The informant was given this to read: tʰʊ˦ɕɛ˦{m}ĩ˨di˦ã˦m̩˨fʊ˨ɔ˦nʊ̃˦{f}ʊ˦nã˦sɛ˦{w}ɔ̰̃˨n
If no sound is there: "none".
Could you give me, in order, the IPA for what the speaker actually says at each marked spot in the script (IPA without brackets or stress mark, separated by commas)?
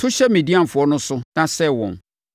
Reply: m, s, w